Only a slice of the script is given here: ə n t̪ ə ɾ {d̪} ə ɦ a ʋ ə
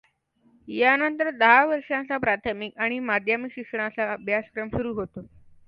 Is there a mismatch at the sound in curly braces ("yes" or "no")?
no